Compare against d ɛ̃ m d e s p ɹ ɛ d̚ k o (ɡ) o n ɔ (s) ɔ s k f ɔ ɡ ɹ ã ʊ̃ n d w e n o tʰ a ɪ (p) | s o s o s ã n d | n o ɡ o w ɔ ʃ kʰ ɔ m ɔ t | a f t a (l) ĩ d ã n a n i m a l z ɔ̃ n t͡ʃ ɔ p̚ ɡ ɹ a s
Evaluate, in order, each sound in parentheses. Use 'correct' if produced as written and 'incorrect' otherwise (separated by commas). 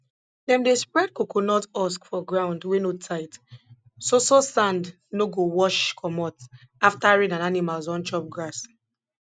incorrect, incorrect, incorrect, incorrect